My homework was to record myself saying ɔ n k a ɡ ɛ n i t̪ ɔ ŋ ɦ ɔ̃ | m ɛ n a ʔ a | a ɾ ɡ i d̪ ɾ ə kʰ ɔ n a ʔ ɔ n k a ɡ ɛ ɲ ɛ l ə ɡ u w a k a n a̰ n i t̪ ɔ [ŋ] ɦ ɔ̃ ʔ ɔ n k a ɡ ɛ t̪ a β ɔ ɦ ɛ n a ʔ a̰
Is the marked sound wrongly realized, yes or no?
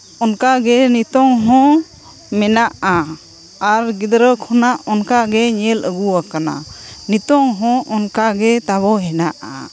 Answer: no